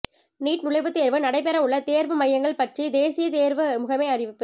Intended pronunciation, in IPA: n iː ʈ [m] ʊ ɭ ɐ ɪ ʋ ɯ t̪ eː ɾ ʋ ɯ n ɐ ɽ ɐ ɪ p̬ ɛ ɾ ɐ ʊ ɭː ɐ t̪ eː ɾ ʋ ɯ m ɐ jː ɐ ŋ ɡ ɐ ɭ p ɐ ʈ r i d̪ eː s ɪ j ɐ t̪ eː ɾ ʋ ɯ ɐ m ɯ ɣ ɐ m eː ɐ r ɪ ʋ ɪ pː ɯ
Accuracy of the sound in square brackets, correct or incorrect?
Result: incorrect